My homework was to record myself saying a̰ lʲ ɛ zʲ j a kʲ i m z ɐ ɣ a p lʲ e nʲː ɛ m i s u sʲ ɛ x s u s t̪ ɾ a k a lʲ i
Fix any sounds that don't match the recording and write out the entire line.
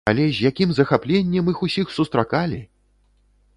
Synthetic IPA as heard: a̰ lʲ ɛ zʲ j a kʲ i m z ɐ x a p lʲ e nʲː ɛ m i x u sʲ i x s u s t̪ ɾ a k a lʲ i